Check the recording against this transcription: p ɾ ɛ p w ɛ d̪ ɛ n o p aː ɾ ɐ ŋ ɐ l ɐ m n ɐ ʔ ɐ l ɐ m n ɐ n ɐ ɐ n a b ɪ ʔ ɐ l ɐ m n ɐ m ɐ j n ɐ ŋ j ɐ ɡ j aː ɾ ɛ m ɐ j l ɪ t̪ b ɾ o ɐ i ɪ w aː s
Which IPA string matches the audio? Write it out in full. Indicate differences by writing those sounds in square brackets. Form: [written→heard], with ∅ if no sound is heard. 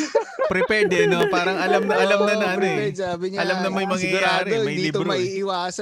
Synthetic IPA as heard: p ɾ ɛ p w ɛ d̪ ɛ n o p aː ɾ ɐ ŋ ɐ l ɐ m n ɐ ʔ ɐ l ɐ m n ɐ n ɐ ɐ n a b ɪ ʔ ɐ l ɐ m n ɐ m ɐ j [n→m] ɐ ŋ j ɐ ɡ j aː ɾ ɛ m ɐ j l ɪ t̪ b ɾ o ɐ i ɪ w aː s